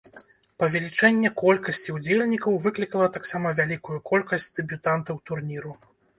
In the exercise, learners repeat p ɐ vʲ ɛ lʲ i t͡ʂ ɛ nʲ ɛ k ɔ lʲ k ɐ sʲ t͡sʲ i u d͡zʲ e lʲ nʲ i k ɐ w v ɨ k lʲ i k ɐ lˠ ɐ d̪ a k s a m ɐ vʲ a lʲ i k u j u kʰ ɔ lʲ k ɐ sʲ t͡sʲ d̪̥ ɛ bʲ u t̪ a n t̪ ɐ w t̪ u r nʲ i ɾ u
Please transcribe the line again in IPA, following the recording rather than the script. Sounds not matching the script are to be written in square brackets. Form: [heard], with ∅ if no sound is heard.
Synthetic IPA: p ɐ vʲ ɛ lʲ i t͡ʂ ɛ [nʲː] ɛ k ɔ lʲ k ɐ sʲ t͡sʲ i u d͡zʲ e lʲ nʲ i k ɐ w v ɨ k lʲ i k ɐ lˠ ɐ [t̪] a k s a m ɐ vʲ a lʲ i k u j u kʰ ɔ lʲ k ɐ sʲ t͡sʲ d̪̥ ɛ bʲ u t̪ a n t̪ ɐ w t̪ u r nʲ i ɾ u